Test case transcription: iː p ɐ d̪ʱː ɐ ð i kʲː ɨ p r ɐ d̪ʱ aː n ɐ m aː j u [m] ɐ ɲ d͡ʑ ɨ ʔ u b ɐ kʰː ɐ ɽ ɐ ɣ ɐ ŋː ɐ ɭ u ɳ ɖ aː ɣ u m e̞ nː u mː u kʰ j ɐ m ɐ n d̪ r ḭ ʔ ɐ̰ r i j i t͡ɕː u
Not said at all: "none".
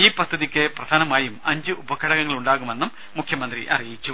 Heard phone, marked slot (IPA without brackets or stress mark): m